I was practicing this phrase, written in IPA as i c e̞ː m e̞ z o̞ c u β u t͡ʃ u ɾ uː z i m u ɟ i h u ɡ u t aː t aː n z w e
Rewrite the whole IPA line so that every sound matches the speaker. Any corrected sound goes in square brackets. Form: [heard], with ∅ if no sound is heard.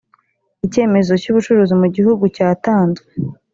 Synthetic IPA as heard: i c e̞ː m e̞ z o̞ c u β u t͡ʃ u ɾ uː z i m u ɟ i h u ɡ u [c] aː t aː n z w e

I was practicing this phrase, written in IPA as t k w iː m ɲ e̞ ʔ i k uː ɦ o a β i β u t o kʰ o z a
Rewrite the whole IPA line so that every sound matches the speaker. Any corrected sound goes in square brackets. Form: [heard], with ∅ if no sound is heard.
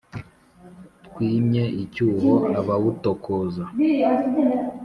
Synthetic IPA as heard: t k w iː m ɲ e̞ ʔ i [c] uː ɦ o a β [a] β u t o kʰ o z a

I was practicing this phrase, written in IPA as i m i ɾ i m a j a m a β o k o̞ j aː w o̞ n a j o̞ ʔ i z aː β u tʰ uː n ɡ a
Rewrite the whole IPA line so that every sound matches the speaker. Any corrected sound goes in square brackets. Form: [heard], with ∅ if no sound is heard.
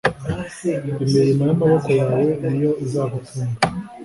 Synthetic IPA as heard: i m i ɾ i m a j a m a β o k o̞ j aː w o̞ n [i] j o̞ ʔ i z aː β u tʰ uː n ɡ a

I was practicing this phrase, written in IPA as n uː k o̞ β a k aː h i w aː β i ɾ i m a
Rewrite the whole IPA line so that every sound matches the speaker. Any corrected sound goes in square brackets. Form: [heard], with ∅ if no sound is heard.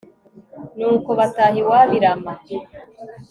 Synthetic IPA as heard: n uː k o̞ β a [t] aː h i w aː β i ɾ [a] m a

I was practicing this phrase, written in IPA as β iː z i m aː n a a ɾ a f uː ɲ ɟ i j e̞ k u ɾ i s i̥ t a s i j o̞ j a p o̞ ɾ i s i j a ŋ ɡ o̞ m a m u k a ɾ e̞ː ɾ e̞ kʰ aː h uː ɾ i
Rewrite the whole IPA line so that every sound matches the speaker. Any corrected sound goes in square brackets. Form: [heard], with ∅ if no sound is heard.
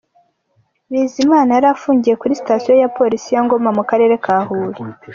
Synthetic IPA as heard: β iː z i m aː n a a ɾ a f uː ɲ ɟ i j e̞ k u ɾ i s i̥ t a s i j o̞ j a p o̞ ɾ i s i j a ŋ ɡ o̞ m a m u k a ɾ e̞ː ɾ e̞ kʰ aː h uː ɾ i

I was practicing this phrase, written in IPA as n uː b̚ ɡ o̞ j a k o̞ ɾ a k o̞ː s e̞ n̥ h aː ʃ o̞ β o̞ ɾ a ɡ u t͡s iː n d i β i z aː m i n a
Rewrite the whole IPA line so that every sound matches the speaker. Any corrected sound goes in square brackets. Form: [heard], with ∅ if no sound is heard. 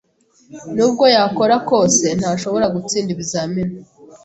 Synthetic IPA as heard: n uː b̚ ɡ o̞ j a k o̞ ɾ a k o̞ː s e̞ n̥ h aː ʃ o̞ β o̞ ɾ a ɡ u t͡s iː n d i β i z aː m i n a

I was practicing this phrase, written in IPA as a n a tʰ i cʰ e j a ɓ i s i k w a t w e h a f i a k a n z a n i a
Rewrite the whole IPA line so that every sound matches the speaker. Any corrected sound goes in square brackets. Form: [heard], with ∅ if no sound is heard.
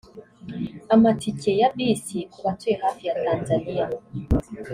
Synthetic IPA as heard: a [m] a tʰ i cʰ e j a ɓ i s i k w a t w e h a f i a [t] a n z a n i a

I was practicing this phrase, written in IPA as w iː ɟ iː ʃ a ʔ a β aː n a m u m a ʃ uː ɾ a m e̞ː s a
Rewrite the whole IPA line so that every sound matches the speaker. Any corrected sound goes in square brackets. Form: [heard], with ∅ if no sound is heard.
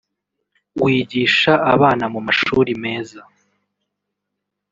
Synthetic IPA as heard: w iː ɟ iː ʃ a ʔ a β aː n a m u m a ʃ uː ɾ [i] m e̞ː [z] a

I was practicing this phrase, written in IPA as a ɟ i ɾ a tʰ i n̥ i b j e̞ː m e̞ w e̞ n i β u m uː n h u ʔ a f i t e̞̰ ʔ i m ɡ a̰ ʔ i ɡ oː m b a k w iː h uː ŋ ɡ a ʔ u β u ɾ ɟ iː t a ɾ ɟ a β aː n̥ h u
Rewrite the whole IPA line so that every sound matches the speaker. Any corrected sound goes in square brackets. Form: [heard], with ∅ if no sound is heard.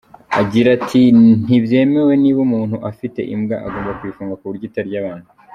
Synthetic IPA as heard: a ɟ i ɾ a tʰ i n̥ i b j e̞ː m e̞ w e̞ n i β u m uː n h u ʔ a f i t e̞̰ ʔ i m ɡ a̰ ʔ [a] ɡ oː m b a k w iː [f] uː ŋ ɡ a [k] u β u ɾ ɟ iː t a ɾ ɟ a β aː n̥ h u

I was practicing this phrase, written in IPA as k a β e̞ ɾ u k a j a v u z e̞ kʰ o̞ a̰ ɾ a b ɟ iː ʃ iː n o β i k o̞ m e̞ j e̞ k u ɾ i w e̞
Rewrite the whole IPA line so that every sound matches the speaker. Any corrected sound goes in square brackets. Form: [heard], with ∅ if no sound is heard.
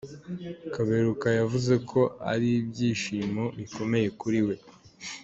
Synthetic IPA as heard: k a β e̞ ɾ u k a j a v u z e̞ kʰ o̞ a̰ ɾ [i] b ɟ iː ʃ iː [m] o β i k o̞ m e̞ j e̞ k u ɾ i w e̞

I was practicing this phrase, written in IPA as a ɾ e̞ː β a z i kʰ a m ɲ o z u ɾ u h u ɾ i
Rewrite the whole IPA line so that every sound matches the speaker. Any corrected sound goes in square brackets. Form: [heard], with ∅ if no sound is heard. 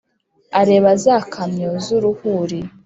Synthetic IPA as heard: a ɾ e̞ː β a z [a] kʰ a m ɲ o z u ɾ u h u ɾ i

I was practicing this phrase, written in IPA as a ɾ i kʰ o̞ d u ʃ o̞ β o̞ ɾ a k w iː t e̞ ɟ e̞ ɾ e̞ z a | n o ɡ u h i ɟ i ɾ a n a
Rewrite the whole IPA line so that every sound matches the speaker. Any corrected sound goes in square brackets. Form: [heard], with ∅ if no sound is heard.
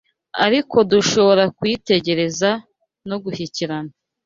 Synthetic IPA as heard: a ɾ i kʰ o̞ d u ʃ o̞ β o̞ ɾ a k w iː t e̞ ɟ e̞ ɾ e̞ z a | n o ɡ u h i [c] i ɾ a n a

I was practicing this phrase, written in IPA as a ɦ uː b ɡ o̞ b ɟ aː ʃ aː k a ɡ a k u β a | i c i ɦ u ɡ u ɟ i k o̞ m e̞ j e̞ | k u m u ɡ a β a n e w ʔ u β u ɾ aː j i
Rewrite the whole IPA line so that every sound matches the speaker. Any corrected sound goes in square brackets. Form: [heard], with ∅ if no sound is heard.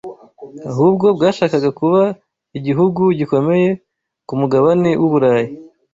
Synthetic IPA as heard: a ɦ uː b ɡ o̞ b [ɡ] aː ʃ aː k a ɡ a k u β a | i [ɟ] i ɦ u ɡ u ɟ i k o̞ m e̞ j e̞ | k u m u ɡ a β a n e w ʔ u β u ɾ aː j i

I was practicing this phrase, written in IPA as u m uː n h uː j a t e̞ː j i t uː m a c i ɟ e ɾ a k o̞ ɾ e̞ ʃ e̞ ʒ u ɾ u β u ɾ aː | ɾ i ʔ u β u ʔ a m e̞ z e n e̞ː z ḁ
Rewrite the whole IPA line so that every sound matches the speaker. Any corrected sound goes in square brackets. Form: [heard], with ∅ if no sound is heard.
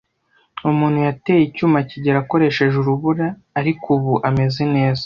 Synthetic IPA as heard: u m uː n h [u] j a t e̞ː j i [c] uː m a c i ɟ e ɾ a k o̞ ɾ e̞ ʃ e̞ ʒ u ɾ u β u ɾ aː | ɾ i [k] u β u ʔ a m e̞ z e n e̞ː z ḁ

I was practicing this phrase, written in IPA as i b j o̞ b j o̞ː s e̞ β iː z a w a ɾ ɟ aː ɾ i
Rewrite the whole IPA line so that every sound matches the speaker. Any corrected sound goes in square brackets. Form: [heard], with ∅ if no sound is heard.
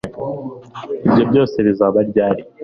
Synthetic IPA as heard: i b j o̞ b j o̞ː s e̞ β [i] z a [β] a ɾ ɟ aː ɾ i

